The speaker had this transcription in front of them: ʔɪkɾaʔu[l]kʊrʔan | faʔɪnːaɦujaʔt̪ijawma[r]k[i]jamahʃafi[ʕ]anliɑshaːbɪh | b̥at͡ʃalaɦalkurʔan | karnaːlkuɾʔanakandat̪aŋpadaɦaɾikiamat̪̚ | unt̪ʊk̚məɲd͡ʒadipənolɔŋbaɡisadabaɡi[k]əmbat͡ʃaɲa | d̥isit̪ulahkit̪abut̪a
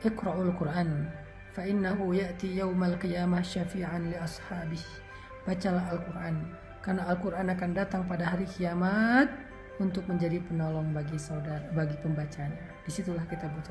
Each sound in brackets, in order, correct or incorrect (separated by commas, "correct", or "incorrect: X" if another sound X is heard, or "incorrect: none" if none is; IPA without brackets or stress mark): correct, incorrect: l, correct, correct, incorrect: p